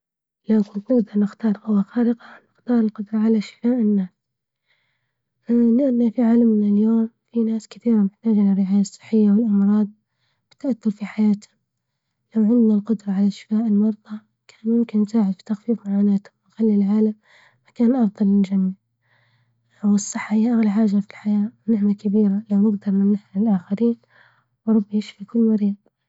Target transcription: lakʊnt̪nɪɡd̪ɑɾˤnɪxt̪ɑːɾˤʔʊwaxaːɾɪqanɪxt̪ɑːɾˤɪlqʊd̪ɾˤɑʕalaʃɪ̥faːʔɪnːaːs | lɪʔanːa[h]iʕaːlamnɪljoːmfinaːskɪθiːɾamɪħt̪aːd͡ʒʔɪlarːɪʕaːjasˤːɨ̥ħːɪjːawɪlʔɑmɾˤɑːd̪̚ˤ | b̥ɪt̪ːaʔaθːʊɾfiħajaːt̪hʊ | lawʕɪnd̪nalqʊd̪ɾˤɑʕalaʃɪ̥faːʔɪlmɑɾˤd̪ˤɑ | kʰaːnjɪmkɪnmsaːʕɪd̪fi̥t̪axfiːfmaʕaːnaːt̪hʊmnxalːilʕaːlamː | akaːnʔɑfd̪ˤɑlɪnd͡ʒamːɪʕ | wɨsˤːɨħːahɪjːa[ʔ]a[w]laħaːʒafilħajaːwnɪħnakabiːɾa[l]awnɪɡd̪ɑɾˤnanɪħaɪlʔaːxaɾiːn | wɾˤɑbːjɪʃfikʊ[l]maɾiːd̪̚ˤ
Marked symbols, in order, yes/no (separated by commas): no, yes, no, yes, no